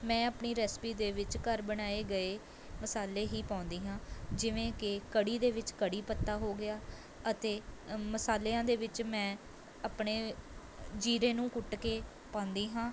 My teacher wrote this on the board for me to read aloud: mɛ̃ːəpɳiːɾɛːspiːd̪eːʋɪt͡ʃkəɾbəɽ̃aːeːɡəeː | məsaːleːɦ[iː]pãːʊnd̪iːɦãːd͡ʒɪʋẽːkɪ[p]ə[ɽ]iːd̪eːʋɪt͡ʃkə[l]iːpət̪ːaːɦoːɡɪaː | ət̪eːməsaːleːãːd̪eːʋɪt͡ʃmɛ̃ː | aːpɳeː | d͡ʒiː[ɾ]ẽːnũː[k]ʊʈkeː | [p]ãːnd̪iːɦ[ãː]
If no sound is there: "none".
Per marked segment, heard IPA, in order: iː, k, ɽ, ɽ, ɾ, k, p, ãː

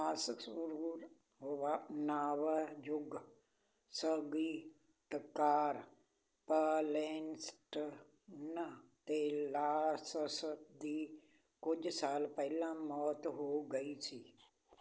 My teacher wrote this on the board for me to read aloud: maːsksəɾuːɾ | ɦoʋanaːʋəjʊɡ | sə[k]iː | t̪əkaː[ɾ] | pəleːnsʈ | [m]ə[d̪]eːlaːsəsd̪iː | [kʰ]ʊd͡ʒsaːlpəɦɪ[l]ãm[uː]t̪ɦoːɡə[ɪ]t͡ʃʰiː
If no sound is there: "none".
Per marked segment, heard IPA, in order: ɡ, ɾ, n, t̪, k, l, ɔː, i

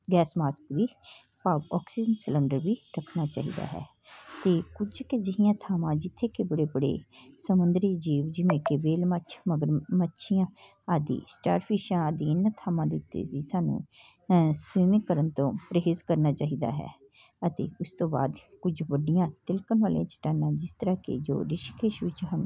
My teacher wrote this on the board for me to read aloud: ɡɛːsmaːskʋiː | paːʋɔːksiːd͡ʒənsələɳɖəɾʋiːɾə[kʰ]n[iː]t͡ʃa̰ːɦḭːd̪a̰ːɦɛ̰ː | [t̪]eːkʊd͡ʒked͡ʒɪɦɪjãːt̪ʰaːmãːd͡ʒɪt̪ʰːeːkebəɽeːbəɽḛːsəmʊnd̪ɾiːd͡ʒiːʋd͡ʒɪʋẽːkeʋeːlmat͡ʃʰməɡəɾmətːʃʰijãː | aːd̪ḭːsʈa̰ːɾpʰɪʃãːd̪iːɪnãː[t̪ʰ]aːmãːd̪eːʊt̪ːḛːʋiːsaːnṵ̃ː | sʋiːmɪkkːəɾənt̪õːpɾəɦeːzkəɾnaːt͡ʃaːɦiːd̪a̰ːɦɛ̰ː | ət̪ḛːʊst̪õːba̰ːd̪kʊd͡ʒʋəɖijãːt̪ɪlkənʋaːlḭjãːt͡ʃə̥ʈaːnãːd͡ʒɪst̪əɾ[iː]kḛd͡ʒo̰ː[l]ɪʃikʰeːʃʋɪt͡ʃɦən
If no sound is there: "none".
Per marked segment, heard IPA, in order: kʰ, aː, t̪, t̪ʰ, aː, ɾ

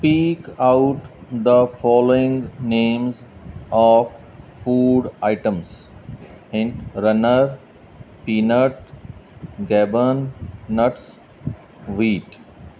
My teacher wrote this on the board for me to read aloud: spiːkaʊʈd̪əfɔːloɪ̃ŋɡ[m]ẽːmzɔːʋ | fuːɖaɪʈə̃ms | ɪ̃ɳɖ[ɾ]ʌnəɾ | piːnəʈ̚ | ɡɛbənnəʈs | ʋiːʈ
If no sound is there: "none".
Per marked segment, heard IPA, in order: n, ɾ

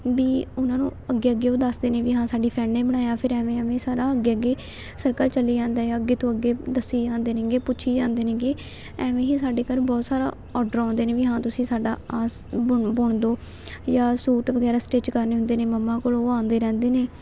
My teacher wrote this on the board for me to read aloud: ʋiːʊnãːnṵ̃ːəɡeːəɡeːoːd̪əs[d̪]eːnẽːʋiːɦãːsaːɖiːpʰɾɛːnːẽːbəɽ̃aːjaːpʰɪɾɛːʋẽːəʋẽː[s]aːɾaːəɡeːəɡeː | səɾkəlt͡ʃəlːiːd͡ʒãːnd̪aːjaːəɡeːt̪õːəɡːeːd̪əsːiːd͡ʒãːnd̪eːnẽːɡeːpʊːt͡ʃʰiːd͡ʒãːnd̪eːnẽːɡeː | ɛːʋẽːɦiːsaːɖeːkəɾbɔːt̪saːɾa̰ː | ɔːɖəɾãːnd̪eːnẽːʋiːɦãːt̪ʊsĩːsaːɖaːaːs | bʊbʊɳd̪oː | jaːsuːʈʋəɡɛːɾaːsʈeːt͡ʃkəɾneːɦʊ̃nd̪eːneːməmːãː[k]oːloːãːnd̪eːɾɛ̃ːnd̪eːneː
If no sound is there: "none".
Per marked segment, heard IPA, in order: d̪, s, k

